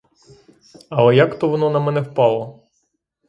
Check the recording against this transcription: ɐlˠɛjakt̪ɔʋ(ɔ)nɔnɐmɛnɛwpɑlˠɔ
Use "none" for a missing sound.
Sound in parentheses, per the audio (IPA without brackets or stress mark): ɔ